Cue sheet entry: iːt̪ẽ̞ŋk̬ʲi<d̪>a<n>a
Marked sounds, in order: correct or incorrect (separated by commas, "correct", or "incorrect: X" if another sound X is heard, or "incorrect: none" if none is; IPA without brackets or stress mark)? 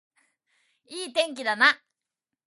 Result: correct, correct